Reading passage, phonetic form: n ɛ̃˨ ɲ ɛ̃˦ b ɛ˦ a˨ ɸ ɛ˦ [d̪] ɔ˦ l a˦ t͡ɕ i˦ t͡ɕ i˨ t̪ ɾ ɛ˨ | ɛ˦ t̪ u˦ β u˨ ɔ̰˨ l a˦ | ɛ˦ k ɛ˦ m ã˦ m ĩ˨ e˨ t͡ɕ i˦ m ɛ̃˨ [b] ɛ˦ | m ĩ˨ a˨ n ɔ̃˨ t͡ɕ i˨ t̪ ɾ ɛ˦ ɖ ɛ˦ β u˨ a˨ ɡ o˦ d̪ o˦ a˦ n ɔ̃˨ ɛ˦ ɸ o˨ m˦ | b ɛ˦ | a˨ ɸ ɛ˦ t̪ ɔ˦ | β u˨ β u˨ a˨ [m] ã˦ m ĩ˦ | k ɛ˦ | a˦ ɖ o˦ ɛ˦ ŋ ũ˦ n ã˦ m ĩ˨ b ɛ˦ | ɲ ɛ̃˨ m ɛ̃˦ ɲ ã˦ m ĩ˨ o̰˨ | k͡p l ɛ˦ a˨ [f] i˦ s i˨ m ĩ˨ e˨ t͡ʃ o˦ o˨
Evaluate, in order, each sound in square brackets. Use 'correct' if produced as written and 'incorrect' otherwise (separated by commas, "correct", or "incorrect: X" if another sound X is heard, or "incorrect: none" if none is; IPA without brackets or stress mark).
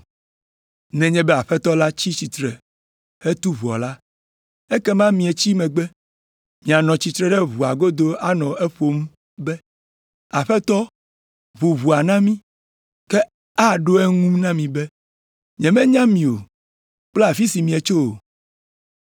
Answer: incorrect: t̪, incorrect: ɡ͡b, incorrect: n, correct